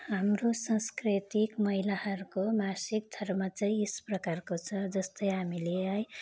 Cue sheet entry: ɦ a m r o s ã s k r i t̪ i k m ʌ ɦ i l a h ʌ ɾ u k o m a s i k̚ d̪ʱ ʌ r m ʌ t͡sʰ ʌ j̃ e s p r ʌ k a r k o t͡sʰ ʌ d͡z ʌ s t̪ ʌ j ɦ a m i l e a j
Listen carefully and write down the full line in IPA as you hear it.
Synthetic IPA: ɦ a m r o s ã s k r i t̪ i k m ʌ ɦ i l a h ʌ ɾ u k o m a s i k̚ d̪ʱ ʌ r m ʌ t͡s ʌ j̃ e s p r ʌ k a r k o t͡sʰ ʌ d͡z ʌ s t̪ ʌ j ɦ a m i l e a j